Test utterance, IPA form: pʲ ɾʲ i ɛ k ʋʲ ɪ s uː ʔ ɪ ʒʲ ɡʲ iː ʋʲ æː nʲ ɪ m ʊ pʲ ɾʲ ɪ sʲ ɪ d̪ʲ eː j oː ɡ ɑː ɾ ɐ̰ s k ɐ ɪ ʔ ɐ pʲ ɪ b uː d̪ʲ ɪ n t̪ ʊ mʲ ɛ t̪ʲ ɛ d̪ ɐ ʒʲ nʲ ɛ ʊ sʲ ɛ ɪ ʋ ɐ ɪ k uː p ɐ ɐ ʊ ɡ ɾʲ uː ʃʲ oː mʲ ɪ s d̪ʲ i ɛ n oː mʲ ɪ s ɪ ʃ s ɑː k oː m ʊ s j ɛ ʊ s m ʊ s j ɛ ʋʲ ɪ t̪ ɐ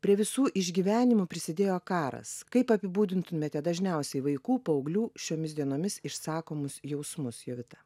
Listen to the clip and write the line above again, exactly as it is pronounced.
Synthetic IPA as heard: pʲ ɾʲ i ɛ ʋʲ ɪ s uː ʔ ɪ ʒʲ ɡʲ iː ʋʲ æː nʲ ɪ m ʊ pʲ ɾʲ ɪ sʲ ɪ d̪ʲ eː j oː k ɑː ɾ ɐ̰ s k ɐ ɪ p ɐ pʲ ɪ b uː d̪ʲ ɪ n t̪ ʊ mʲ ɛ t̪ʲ ɛ d̪ ɐ ʒʲ nʲ ɛ ʊ sʲ ɛ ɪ ʋ ɐ ɪ k uː p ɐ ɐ ʊ ɡ lʲ uː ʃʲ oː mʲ ɪ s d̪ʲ i ɛ n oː mʲ ɪ s ɪ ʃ s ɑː k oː m ʊ s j ɛ ʊ s m ʊ s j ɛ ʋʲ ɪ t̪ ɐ